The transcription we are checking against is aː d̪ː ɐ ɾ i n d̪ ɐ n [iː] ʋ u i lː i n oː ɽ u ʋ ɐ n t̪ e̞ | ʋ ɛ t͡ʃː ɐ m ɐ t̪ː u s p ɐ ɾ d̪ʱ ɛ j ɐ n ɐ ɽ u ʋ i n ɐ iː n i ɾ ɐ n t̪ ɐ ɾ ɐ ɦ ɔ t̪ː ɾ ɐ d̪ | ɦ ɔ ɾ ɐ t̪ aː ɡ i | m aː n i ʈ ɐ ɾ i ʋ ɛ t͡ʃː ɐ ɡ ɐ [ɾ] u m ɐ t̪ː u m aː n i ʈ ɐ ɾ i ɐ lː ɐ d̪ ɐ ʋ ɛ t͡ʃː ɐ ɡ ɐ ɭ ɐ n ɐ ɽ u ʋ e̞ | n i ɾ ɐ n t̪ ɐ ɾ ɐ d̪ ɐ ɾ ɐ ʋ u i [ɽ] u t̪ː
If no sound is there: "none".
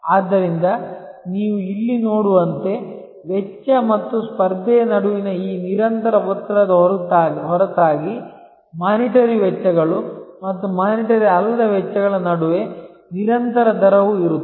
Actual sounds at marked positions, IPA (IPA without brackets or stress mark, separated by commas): iː, ɭ, ɾ